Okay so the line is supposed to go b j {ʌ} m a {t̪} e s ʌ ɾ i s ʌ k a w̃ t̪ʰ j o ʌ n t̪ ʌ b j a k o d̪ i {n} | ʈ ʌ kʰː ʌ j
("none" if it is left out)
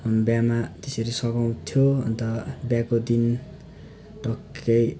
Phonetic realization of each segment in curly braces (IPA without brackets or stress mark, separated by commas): a, t̪, n